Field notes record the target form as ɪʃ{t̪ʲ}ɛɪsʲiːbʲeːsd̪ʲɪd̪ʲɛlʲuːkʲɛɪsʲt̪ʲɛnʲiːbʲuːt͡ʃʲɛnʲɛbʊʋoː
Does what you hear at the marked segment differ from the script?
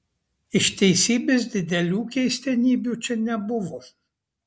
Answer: no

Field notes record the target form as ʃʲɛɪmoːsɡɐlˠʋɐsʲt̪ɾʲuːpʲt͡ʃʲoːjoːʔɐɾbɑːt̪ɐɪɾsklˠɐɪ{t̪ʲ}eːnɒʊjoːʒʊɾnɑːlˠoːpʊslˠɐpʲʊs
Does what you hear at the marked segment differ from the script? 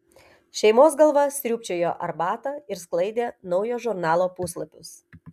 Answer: yes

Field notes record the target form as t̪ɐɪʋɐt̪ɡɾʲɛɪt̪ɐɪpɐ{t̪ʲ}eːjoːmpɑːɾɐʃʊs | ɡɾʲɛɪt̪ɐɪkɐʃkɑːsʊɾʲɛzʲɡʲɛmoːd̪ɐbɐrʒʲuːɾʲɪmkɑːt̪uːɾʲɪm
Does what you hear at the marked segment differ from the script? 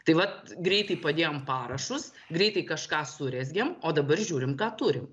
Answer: yes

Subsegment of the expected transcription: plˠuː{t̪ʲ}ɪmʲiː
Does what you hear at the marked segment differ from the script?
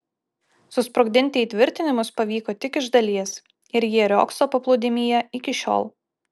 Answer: yes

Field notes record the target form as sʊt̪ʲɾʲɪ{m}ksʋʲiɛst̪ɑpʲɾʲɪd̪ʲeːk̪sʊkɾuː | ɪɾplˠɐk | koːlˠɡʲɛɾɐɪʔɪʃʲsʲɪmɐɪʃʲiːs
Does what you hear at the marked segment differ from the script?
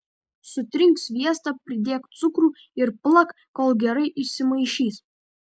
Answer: yes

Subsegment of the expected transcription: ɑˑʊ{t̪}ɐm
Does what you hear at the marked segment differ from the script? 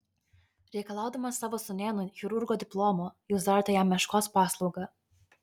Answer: yes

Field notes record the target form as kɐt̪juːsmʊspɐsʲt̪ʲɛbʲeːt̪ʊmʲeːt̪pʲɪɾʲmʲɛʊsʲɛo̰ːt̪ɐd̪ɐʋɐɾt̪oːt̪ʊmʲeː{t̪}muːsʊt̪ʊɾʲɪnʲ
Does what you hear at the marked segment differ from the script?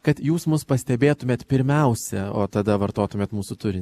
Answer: no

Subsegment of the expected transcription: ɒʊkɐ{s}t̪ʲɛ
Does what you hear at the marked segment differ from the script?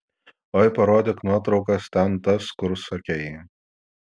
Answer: no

